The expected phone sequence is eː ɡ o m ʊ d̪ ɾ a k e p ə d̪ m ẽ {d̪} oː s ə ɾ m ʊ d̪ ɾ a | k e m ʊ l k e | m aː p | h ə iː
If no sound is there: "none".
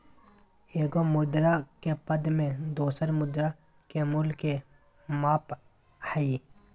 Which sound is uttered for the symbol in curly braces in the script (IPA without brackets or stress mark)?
d̪